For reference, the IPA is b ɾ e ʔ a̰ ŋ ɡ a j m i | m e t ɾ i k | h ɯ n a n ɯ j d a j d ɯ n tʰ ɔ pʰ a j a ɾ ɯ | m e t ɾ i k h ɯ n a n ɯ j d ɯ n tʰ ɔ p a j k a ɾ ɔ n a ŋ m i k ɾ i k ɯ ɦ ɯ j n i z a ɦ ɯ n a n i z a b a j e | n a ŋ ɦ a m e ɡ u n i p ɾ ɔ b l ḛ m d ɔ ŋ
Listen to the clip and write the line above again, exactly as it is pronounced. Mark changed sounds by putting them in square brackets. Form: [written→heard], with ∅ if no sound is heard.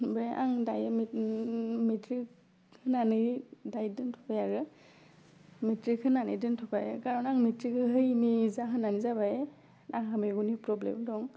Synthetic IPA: b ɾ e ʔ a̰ ŋ [ɡ→d] a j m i | m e t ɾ i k | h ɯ n a n ɯ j d a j d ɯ n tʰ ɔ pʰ a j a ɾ ɯ | m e t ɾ i k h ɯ n a n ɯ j d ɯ n tʰ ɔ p a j k a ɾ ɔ n a ŋ m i [k→t] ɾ i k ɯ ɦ ɯ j n i z a ɦ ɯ n a n i z a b a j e | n a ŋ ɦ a m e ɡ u n i p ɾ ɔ b l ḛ m d ɔ ŋ